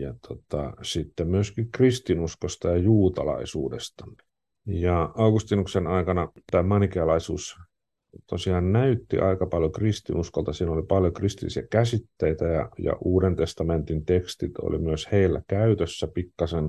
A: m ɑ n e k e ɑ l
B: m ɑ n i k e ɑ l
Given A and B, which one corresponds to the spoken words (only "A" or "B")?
B